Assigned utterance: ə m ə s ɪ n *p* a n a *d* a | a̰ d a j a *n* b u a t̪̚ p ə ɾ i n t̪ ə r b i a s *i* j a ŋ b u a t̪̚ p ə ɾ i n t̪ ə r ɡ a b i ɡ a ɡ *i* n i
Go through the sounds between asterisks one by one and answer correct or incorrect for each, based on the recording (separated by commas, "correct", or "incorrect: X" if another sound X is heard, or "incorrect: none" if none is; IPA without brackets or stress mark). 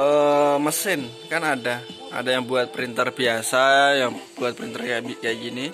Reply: incorrect: k, correct, incorrect: ŋ, incorrect: a, correct